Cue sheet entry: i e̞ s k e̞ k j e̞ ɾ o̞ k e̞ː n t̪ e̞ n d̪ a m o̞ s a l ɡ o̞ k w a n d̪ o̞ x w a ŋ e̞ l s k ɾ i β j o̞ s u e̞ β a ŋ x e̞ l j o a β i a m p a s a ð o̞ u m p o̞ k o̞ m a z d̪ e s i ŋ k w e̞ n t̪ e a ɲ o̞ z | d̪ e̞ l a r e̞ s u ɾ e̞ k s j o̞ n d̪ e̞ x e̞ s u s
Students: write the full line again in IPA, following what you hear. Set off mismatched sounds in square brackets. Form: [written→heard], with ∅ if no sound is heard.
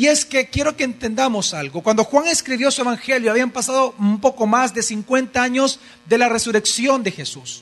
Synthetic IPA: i e̞ s k e̞ k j e̞ ɾ o̞ k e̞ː n t̪ e̞ n d̪ a m o̞ s a l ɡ o̞ k w a n d̪ o̞ x w a ŋ e̞ [l→∅] s k ɾ i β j o̞ s u e̞ β a ŋ x e̞ l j o a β i a m p a s a ð o̞ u m p o̞ k o̞ m a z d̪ e s i ŋ k w e̞ n t̪ [e→a] a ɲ o̞ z | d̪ e̞ l a r e̞ s u ɾ e̞ k s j o̞ n d̪ e̞ x e̞ s u s